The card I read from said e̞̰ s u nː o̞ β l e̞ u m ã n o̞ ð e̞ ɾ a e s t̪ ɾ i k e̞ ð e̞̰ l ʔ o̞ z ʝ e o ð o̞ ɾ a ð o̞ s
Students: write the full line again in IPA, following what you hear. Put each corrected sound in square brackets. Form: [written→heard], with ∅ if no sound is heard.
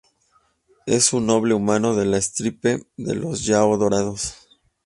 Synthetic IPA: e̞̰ s u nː o̞ β l e̞ u m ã n o̞ ð e̞ [ɾ→l] a e s t̪ ɾ i [k→p] e̞ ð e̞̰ l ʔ o̞ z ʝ [e→a] o ð o̞ ɾ a ð o̞ s